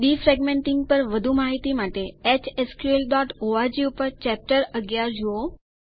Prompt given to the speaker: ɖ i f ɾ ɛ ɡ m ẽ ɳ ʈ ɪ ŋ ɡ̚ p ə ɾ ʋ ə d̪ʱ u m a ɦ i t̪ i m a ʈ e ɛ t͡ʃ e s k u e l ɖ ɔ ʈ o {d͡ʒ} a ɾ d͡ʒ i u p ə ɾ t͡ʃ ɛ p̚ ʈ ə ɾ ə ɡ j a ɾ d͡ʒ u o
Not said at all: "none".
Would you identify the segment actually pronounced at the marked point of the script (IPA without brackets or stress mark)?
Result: none